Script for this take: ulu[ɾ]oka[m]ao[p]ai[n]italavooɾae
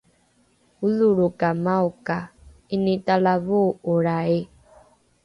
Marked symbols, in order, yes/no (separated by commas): yes, yes, no, yes